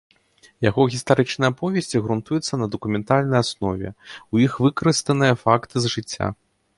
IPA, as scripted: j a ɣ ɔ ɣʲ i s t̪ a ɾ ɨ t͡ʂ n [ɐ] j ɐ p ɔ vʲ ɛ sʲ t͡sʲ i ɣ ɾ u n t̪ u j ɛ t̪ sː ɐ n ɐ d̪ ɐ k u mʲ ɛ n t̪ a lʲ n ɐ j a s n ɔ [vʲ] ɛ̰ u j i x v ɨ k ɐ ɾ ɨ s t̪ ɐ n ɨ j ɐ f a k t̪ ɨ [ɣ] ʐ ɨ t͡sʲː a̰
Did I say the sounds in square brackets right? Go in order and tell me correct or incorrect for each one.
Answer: correct, correct, incorrect

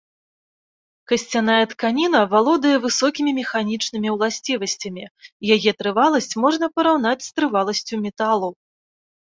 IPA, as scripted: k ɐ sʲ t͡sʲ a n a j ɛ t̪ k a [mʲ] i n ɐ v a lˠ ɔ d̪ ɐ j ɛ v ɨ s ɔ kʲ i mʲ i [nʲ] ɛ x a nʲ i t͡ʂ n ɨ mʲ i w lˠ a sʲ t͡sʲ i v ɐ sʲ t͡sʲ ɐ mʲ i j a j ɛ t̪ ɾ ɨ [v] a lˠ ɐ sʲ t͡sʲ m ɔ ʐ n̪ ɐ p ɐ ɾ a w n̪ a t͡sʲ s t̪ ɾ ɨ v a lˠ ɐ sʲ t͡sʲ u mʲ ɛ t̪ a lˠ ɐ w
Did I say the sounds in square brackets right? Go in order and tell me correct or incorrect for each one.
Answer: incorrect, incorrect, correct

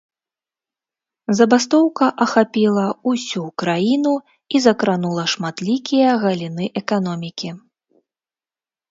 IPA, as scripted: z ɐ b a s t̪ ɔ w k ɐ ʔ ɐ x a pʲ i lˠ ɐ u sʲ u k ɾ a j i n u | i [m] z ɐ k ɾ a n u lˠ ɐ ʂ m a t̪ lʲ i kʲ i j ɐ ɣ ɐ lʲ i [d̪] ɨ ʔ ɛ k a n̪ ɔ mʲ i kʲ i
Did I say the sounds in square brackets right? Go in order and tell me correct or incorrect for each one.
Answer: incorrect, incorrect

